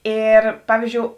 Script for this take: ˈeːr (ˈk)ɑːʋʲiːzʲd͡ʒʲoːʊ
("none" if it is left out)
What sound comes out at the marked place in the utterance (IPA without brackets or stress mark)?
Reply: p